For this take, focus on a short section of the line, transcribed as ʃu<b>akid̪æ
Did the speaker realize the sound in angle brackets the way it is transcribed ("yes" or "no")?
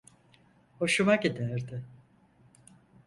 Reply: no